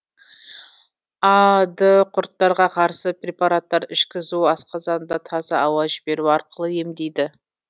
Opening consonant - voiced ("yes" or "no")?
yes